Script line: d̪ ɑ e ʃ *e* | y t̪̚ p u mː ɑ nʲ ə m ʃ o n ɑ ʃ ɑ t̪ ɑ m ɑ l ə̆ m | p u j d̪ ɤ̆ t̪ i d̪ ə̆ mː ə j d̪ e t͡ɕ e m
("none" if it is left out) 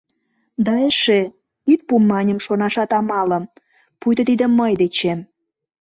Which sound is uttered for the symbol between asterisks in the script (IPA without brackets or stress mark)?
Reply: e